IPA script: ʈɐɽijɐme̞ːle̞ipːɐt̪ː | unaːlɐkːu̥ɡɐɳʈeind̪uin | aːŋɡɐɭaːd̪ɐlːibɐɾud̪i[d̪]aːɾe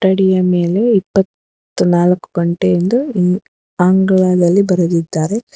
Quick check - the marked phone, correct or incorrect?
incorrect